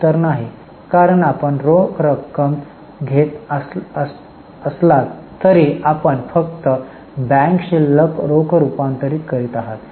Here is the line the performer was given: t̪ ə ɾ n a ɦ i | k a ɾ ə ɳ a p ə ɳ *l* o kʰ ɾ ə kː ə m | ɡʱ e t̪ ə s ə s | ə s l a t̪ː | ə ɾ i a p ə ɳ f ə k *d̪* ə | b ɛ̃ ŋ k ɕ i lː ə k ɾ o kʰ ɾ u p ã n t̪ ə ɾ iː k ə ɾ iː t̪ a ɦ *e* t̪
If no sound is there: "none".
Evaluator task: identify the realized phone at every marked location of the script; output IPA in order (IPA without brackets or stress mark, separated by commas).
ɾ, t̪, a